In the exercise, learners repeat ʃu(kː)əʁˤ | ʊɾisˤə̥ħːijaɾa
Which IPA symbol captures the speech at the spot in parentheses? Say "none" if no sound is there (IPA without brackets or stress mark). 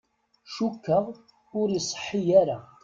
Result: kː